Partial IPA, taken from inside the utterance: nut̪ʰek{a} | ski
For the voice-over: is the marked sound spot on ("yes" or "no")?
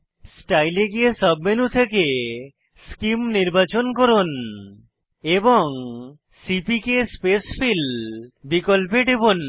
no